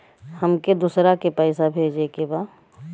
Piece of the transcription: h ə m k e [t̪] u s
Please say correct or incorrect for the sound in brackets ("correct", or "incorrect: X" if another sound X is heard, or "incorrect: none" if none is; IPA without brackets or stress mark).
incorrect: d̪